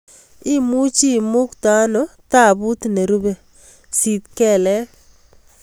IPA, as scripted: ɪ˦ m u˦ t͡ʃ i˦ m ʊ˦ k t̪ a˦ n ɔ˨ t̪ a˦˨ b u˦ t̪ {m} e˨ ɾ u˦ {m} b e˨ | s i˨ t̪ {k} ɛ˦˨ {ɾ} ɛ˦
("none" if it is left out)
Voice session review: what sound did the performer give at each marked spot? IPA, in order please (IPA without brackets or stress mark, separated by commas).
n, none, k, l